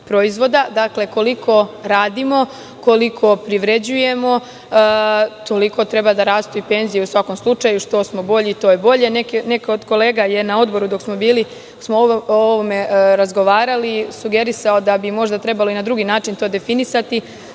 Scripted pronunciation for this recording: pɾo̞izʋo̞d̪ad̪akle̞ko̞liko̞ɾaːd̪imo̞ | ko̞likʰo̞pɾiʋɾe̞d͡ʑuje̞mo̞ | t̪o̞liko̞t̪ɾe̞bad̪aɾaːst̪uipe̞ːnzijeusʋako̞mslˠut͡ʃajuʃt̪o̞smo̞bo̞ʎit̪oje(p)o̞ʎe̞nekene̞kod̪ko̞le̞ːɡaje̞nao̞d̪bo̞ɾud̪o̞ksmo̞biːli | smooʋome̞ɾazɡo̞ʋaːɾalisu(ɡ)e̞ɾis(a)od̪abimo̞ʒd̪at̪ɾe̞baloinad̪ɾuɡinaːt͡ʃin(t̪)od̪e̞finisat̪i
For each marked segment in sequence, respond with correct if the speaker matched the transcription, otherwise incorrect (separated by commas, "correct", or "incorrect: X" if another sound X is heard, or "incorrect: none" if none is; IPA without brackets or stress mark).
incorrect: b, correct, correct, correct